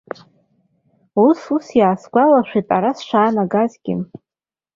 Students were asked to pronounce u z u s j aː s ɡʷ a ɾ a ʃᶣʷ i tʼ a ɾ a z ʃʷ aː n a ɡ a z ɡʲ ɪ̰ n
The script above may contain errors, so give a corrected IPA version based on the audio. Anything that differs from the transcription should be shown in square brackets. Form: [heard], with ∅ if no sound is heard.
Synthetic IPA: u [s] u s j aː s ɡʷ a [l] a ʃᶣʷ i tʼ a ɾ a [s] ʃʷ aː n a ɡ a z ɡʲ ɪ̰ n